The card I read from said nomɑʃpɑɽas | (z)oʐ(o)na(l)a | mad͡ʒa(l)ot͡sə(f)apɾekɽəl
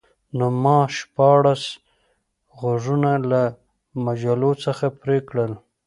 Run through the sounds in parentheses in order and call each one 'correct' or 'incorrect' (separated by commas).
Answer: incorrect, incorrect, correct, correct, incorrect